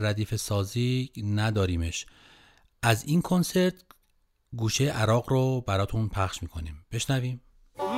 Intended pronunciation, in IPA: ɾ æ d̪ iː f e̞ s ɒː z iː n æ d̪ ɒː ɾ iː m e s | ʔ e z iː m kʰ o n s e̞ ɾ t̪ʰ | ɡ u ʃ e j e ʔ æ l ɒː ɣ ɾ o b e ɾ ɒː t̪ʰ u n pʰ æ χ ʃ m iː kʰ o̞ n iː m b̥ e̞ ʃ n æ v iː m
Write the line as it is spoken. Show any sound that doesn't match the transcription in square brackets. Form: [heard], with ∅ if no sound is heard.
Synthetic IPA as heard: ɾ æ d̪ iː f e̞ s ɒː z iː n æ d̪ ɒː ɾ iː m e [ʃ] | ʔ [æ] z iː [n] kʰ o n s e̞ ɾ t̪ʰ | ɡ [uː] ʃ e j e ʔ æ [ɾ] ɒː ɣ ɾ o b [æ] ɾ ɒː t̪ʰ u n pʰ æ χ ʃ m iː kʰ o̞ n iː m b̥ e̞ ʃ n æ v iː m